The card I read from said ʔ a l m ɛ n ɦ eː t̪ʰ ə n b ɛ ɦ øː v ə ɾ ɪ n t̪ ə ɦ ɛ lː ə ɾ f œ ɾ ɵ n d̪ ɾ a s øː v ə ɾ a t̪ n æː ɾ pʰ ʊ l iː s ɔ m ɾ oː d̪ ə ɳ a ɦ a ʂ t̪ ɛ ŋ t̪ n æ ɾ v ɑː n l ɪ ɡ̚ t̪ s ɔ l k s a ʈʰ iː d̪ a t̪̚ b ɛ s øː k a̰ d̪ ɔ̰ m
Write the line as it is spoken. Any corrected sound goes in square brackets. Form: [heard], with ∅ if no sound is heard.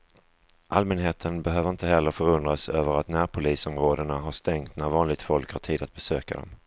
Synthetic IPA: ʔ a l m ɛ n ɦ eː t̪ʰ ə n b ɛ ɦ øː v ə ɾ ɪ n t̪ ə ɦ ɛ lː ə ɾ f œ ɾ ɵ n d̪ ɾ a s øː v ə ɾ a t̪ n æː ɾ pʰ ʊ l iː s ɔ m ɾ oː d̪ ə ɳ a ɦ a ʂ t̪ ɛ ŋ t̪ n æ ɾ v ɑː n l ɪ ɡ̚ t̪ [f] ɔ l k [h] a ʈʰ iː d̪ a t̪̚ b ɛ s øː k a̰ d̪ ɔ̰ m